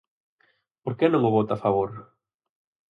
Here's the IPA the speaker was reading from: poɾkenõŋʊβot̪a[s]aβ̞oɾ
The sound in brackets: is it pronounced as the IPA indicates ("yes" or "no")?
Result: no